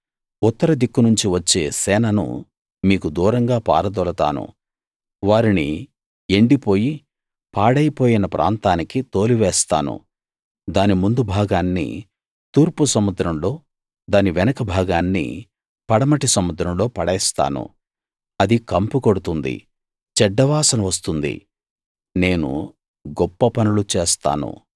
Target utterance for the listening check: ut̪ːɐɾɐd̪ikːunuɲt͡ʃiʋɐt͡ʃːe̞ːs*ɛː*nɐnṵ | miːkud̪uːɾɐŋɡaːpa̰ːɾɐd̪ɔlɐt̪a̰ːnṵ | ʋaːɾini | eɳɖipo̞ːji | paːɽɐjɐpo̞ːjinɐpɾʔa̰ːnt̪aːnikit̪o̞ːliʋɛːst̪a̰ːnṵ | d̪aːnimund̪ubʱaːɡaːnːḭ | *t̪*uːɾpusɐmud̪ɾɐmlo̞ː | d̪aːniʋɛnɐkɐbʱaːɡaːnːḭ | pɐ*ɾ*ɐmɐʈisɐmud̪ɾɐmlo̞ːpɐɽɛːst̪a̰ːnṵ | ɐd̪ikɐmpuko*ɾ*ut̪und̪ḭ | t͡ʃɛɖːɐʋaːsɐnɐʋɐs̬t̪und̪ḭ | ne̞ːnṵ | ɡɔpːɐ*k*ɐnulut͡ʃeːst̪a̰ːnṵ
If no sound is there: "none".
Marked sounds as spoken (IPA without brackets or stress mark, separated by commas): ɛː, t̪, ɽ, ɽ, p